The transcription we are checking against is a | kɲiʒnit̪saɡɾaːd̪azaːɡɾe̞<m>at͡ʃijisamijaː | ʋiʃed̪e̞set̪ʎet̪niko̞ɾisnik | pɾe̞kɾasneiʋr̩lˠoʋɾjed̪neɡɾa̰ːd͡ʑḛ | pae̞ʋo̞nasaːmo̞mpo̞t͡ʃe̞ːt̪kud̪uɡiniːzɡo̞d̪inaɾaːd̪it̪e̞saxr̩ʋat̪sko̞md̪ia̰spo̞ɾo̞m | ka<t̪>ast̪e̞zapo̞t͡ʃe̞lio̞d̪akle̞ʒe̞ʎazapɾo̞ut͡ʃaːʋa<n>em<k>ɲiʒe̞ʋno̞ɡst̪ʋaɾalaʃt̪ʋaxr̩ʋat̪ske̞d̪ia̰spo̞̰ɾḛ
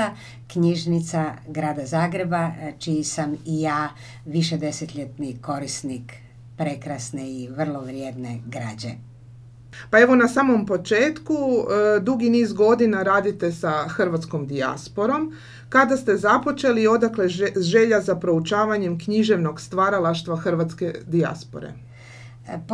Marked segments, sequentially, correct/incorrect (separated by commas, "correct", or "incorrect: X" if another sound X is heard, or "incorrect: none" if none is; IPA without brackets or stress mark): incorrect: b, incorrect: d̪, incorrect: ɲ, correct